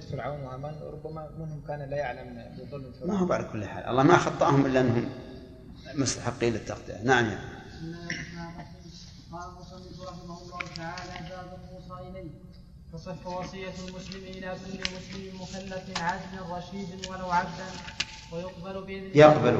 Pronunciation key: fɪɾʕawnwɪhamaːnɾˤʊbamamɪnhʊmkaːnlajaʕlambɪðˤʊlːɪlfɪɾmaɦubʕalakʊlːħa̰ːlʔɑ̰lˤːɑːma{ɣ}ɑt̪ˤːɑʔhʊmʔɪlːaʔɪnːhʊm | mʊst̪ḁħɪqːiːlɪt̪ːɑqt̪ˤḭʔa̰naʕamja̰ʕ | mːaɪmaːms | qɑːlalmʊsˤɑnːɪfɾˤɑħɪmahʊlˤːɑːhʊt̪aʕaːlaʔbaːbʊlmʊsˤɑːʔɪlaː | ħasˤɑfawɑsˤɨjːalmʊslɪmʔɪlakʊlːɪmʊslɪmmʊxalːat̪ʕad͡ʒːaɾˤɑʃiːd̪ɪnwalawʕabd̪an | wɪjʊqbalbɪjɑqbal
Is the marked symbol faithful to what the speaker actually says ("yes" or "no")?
no